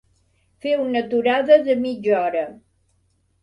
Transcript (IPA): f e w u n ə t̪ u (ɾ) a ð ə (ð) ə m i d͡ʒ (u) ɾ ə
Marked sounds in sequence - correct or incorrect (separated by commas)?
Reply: correct, correct, incorrect